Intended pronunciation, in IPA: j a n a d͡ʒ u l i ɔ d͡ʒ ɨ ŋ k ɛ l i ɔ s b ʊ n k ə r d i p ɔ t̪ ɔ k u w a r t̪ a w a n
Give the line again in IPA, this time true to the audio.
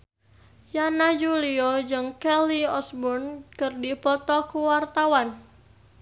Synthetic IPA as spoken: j a n a d͡ʒ u l i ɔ d͡ʒ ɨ ŋ k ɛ l i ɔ s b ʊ n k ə r d i p ɔ t̪ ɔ k u w a r t̪ a w a n